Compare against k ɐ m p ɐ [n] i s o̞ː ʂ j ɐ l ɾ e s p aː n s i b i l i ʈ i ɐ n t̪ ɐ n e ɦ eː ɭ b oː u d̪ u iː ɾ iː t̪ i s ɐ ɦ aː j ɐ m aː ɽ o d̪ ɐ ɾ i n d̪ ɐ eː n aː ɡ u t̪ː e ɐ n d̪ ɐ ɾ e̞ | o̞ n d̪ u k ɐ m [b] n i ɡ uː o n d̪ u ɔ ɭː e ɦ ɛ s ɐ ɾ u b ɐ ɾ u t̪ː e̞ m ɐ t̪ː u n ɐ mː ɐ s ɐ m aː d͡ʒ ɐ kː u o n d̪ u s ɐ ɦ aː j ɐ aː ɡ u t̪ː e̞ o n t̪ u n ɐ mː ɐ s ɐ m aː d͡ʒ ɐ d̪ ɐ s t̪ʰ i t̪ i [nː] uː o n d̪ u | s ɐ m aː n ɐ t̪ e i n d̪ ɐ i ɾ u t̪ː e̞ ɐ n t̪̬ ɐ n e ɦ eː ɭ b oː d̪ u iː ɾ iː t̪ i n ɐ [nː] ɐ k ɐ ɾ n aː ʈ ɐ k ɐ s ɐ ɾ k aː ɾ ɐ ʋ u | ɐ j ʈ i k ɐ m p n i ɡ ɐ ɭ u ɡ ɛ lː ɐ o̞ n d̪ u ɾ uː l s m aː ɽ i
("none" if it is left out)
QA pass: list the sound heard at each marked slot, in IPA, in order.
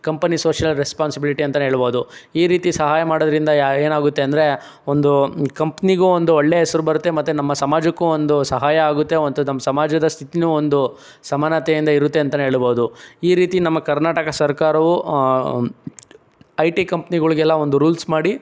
n, p, n, mː

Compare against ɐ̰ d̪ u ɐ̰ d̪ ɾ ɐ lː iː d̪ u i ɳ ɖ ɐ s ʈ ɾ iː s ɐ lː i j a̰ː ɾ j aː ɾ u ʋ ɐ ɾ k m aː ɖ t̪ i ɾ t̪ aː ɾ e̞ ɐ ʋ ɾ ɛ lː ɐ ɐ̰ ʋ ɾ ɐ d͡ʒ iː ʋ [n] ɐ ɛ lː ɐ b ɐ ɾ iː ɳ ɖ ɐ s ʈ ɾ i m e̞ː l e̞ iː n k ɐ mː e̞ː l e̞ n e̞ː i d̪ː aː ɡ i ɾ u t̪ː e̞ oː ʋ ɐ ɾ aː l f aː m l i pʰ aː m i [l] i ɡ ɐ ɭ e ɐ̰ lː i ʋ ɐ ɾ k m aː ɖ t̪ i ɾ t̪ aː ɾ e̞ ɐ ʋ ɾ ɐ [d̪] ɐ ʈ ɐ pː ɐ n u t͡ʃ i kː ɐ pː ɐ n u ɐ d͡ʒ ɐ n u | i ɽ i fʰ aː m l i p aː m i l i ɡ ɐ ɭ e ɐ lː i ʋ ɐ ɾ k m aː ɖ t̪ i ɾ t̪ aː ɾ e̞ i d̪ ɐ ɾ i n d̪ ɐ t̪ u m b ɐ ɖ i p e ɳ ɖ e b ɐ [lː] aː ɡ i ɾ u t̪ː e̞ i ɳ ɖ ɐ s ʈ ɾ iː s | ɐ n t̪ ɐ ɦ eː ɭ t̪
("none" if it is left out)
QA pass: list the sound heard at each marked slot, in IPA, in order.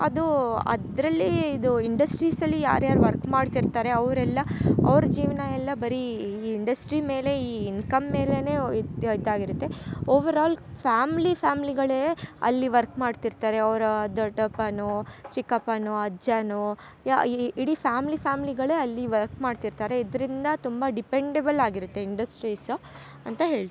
n, l, d̪, l

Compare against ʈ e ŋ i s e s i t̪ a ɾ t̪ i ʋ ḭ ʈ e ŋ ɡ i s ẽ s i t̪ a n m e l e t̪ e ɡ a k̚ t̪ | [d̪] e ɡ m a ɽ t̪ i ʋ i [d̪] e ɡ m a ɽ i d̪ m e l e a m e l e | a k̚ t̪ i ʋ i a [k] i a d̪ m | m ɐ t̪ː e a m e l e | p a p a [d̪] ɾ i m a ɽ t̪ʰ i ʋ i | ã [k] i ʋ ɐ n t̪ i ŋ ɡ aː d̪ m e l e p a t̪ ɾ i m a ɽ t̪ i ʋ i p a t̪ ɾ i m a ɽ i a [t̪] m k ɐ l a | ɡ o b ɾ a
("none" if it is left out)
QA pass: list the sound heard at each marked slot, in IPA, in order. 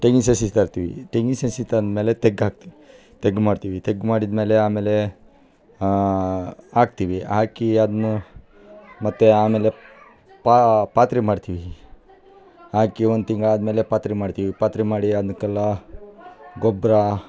t̪, t̪, k, t̪, k, d̪

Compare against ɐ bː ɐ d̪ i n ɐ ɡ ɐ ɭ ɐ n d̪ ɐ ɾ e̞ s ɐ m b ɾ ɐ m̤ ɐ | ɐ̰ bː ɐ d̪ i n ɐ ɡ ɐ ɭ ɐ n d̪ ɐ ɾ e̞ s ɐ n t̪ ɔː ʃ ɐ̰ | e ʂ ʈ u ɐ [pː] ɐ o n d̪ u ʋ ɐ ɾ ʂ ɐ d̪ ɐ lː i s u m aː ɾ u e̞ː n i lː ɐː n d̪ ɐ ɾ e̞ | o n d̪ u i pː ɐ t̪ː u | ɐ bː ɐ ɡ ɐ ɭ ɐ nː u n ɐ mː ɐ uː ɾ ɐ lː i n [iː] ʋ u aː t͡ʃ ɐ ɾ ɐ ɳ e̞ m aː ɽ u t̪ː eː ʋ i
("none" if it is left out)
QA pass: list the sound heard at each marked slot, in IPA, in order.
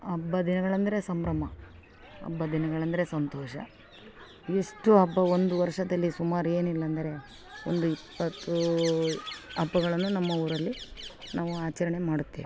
bː, aː

